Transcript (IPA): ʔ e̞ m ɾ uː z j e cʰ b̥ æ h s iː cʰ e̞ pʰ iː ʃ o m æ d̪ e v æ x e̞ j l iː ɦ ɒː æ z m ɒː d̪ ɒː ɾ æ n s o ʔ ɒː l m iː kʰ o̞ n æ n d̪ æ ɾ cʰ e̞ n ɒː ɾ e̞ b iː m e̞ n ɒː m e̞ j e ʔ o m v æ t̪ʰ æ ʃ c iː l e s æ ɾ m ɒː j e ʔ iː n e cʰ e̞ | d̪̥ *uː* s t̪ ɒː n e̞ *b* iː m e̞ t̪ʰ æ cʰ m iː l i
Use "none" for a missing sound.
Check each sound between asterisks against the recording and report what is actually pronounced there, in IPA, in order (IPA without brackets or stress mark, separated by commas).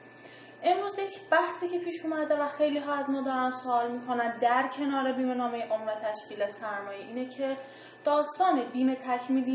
ɒː, b